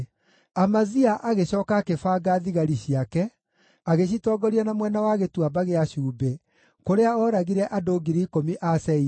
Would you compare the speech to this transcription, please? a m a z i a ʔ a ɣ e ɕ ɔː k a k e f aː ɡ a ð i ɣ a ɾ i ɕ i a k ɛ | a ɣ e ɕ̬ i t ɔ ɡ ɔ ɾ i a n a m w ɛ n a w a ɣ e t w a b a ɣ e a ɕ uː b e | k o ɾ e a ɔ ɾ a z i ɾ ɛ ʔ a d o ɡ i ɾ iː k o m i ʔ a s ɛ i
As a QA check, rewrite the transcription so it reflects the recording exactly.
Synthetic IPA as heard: a m a z i a ʔ a ɣ e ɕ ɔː k a k e f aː ɡ a ð i ɣ a ɾ i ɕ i a k ɛ | a ɣ e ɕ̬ i t ɔ ɡ ɔ ɾ i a n a m w ɛ n a w a ɣ e t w a b a ɣ e a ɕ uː b e | k o ɾ e a ɔ ɾ a ɣ i ɾ ɛ ʔ a d o ɡ i ɾ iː k o m i ʔ a s ɛ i